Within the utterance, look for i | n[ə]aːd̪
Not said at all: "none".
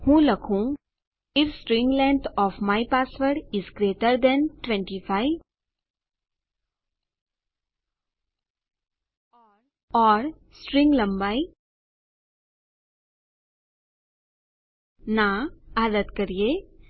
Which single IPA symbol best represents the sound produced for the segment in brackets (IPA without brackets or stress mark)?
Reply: a